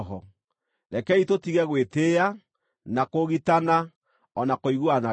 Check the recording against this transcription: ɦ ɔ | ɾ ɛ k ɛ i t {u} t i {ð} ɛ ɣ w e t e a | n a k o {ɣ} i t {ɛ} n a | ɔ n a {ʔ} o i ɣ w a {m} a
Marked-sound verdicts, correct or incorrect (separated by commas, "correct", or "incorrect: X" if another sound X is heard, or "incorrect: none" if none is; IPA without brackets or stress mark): incorrect: o, incorrect: ɣ, correct, incorrect: a, incorrect: k, incorrect: n